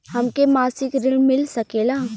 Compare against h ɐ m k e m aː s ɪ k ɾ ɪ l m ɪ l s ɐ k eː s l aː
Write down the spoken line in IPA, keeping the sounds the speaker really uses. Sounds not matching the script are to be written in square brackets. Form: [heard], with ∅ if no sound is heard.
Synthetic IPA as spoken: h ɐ m k e m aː s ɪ k ɾ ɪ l m ɪ l s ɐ k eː [∅] l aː